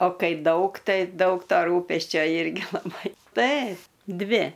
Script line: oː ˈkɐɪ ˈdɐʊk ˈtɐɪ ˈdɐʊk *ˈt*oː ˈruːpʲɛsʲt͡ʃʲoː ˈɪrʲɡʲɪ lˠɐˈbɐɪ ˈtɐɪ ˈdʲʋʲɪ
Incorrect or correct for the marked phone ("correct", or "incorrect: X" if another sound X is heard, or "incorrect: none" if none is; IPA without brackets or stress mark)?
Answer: correct